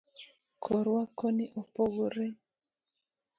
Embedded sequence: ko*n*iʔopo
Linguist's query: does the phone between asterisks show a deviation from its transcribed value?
no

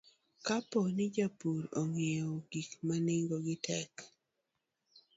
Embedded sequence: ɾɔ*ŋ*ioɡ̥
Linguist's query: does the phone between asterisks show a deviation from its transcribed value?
no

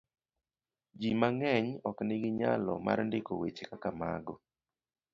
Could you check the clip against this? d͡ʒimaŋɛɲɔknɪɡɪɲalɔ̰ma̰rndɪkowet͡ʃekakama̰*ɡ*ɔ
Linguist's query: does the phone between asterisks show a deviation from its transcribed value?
no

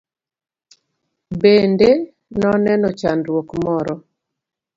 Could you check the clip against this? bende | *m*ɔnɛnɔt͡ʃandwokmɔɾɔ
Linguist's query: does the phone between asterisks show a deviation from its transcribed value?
yes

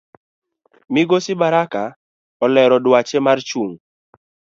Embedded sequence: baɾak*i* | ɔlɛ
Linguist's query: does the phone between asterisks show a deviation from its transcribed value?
yes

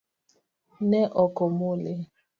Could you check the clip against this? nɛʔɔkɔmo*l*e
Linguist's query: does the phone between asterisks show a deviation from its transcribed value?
no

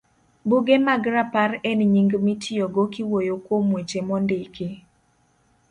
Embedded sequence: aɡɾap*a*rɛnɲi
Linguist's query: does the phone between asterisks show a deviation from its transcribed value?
no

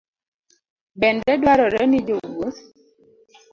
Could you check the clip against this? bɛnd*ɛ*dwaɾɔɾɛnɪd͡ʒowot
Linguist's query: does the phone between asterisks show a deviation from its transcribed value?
no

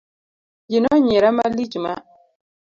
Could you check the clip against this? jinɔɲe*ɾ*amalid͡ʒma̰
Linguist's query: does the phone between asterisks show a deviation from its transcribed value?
no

